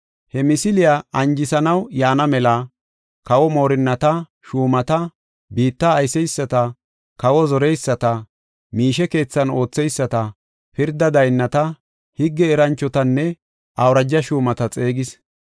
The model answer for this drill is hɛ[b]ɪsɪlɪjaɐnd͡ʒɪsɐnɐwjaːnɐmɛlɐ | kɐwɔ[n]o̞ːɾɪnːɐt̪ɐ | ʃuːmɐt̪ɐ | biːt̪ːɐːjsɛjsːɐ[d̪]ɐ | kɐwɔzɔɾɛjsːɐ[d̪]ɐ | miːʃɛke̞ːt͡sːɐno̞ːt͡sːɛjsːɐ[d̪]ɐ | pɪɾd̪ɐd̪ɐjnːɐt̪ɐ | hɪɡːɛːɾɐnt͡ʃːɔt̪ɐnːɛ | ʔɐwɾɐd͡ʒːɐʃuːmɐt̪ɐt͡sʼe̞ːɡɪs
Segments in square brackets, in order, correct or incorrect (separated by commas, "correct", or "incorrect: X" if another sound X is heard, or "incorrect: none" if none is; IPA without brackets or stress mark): incorrect: m, incorrect: m, incorrect: t̪, incorrect: t̪, incorrect: t̪